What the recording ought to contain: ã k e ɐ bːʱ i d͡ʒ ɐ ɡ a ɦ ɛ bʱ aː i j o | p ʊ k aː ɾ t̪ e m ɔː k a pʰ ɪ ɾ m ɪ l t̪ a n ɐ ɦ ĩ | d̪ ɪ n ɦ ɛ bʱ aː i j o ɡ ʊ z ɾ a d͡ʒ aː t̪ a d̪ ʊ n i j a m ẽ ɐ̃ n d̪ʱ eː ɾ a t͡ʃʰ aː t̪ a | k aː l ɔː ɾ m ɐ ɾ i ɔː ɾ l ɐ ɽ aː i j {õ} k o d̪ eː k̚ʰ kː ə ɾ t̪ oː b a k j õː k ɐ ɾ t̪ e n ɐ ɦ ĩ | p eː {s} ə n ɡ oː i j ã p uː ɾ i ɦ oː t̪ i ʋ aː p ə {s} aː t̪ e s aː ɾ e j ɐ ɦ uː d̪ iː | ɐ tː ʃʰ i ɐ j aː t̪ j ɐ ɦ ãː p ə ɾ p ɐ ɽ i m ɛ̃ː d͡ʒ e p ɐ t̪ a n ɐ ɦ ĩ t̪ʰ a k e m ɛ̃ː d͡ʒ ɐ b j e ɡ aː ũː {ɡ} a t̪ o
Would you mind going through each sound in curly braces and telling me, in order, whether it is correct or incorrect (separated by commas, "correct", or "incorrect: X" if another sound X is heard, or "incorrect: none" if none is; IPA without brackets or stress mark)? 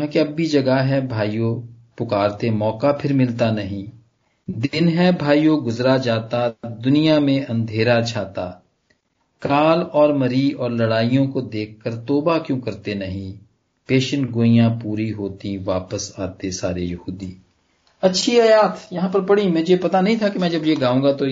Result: correct, incorrect: ʃ, correct, correct